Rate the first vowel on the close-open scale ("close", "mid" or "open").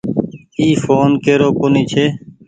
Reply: close